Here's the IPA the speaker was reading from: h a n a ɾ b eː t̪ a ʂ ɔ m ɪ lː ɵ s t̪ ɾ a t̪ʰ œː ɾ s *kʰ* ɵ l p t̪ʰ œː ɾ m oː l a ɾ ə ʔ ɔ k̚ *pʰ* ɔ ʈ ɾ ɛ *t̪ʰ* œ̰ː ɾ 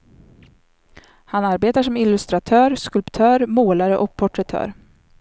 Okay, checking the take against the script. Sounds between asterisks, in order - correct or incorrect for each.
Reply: incorrect: k, correct, correct

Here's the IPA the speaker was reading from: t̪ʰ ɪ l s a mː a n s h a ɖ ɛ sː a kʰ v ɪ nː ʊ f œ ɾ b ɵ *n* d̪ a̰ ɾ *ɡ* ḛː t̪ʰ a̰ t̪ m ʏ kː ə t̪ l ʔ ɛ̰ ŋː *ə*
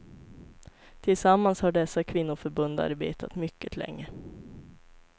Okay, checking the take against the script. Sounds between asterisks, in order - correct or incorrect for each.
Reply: correct, incorrect: b, correct

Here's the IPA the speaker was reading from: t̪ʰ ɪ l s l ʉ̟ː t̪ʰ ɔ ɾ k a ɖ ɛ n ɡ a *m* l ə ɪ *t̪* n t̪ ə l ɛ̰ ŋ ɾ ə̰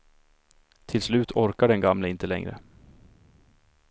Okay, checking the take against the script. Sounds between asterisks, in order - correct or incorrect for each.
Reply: correct, incorrect: none

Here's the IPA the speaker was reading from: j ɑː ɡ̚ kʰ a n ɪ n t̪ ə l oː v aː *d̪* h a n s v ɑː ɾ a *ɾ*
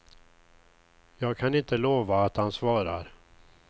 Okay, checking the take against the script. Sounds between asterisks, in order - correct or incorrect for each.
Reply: incorrect: t̪, correct

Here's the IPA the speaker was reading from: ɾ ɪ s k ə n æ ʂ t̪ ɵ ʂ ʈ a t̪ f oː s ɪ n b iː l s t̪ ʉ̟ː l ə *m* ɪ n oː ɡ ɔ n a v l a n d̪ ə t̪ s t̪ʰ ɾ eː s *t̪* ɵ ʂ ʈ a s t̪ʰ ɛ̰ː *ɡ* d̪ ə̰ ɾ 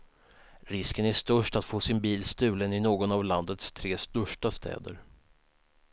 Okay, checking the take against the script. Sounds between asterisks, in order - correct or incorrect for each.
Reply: incorrect: n, correct, incorrect: none

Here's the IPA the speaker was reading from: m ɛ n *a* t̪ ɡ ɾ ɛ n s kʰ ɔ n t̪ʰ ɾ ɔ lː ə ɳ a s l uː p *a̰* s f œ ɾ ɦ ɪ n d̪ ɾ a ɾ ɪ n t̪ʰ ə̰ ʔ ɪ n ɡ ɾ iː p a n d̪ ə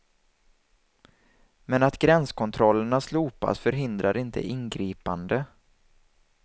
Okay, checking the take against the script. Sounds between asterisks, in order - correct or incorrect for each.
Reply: correct, correct

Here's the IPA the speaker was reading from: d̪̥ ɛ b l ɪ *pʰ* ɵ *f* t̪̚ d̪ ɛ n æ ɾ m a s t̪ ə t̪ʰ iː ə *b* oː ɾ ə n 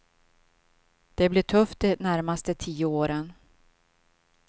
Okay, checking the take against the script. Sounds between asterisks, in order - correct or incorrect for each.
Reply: incorrect: ʈʰ, correct, incorrect: none

